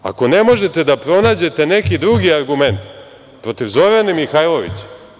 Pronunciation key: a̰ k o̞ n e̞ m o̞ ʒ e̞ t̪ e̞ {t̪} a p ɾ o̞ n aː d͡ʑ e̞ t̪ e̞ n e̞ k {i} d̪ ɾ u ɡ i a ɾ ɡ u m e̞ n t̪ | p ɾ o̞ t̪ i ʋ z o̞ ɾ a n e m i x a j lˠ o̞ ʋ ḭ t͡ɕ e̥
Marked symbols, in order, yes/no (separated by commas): no, yes